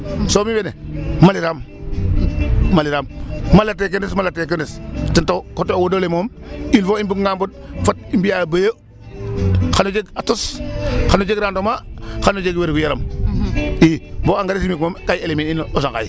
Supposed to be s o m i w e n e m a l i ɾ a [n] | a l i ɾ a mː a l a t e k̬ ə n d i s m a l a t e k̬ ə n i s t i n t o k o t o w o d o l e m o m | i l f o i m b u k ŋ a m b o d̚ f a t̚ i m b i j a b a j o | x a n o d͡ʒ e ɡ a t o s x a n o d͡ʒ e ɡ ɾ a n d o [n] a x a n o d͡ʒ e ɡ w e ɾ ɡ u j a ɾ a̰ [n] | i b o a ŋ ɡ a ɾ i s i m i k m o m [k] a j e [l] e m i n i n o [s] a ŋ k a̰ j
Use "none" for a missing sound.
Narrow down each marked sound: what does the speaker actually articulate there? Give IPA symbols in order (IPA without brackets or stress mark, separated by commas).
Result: m, m, m, k, l, s